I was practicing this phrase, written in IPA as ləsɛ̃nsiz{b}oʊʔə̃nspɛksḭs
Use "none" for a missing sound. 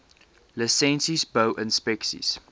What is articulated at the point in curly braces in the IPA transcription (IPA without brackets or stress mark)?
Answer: b